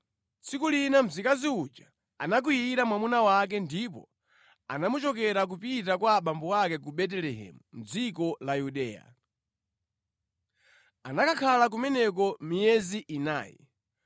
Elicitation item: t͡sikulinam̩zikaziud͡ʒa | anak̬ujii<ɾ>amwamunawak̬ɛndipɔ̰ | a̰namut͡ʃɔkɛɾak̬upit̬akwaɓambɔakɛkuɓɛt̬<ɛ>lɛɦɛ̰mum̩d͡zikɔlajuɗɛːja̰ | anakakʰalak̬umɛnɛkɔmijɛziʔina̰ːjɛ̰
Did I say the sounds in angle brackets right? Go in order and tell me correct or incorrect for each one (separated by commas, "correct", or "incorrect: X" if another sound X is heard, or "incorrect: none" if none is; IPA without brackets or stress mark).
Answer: correct, correct